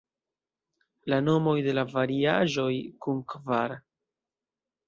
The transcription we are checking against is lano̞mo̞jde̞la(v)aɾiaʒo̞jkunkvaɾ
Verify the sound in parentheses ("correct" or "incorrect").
correct